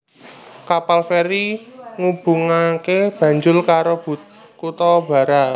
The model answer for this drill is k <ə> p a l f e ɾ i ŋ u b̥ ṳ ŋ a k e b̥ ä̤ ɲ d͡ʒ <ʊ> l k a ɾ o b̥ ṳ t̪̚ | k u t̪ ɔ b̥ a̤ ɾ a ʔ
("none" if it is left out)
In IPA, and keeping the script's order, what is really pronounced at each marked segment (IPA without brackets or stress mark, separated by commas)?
a, ʊ